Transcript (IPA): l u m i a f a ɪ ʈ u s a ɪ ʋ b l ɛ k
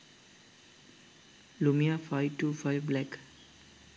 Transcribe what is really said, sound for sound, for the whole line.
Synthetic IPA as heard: l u m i a f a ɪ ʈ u f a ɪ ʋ b l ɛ k